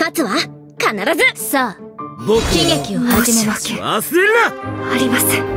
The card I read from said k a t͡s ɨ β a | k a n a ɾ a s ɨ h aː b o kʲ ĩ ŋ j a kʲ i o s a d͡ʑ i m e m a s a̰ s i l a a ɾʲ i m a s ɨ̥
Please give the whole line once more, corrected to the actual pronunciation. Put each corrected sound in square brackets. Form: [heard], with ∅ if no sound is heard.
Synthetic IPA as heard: k a t͡s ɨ β a | k a n a ɾ a [z] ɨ [s] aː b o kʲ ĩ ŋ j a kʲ i o [h] a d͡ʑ i m e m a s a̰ s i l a a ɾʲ i m a s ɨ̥